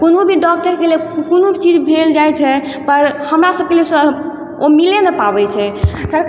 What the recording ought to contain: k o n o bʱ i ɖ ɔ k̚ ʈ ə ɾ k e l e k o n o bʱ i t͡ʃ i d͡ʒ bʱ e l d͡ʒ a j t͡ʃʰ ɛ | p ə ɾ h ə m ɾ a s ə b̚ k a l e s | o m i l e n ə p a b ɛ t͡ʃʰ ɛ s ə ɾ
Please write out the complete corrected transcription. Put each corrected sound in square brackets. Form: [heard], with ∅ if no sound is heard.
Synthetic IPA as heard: k o n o bʱ i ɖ ɔ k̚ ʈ ə ɾ k e l e k o n o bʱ i t͡ʃ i d͡ʒ bʱ e l d͡ʒ a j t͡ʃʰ ɛ | p ə ɾ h ə m ɾ a s ə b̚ k [e] l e s | o m i l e n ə p a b ɛ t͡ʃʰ ɛ s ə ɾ